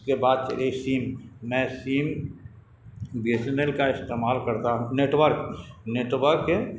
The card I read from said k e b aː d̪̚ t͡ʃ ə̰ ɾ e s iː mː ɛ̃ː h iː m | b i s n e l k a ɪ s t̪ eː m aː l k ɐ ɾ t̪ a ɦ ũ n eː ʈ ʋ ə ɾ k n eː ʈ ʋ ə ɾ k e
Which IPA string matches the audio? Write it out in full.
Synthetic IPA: k e b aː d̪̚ t͡ʃ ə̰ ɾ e s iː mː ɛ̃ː s iː m | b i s n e l k a ɪ s t̪ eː m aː l k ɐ ɾ t̪ a ɦ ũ n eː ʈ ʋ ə ɾ k n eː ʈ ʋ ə ɾ k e